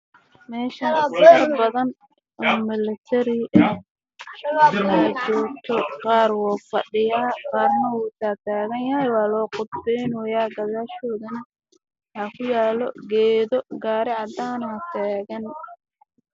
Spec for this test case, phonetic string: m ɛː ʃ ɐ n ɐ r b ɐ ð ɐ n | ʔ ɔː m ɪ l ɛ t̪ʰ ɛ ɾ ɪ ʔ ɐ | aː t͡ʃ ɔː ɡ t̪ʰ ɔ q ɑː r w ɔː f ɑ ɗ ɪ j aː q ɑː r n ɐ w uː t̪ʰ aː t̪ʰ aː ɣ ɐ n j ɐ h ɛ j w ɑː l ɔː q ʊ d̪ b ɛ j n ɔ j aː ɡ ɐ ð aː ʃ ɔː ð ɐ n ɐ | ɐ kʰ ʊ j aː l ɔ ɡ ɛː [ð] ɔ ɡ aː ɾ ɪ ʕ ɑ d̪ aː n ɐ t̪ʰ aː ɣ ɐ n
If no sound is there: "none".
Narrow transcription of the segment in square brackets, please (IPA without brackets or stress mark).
ð